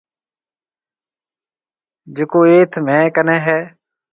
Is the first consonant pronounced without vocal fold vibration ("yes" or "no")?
no